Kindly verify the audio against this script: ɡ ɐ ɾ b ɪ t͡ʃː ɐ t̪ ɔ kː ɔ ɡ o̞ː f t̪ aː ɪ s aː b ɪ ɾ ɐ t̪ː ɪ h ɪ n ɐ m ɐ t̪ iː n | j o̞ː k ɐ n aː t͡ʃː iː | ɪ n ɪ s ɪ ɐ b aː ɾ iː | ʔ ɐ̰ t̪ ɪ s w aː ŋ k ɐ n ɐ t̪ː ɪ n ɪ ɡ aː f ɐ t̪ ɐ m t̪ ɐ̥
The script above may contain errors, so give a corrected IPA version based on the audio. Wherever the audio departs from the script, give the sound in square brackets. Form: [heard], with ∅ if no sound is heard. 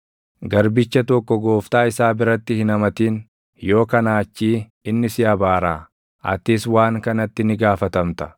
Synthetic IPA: ɡ ɐ ɾ b ɪ t͡ʃː ɐ t̪ ɔ kː ɔ ɡ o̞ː f t̪ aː ɪ s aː b ɪ ɾ ɐ t̪ː ɪ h ɪ n ɐ m ɐ t̪ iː n | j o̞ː k ɐ n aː t͡ʃː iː | ɪ [nː] ɪ s ɪ ɐ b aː ɾ [aː] | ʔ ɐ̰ t̪ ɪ s w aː ŋ k ɐ n ɐ t̪ː ɪ n ɪ ɡ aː f ɐ t̪ ɐ m t̪ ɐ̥